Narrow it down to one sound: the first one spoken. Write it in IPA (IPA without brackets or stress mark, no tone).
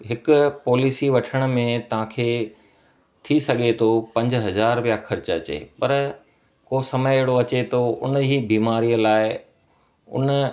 ɦ